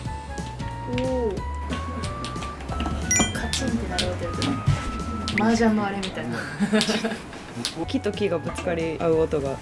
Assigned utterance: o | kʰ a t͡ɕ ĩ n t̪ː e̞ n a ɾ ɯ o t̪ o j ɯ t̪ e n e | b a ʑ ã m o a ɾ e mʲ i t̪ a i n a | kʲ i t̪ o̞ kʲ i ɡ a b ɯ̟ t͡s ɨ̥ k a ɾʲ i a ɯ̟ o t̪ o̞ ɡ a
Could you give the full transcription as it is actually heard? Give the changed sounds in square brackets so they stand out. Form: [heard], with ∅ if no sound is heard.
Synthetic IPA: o | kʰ a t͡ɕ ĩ n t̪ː e̞ n a ɾ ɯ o t̪ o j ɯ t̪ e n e | [m] a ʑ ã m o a ɾ e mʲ i t̪ a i n a | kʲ i t̪ o̞ kʲ i ɡ a b ɯ̟ t͡s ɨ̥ k a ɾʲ i a ɯ̟ o t̪ o̞ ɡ a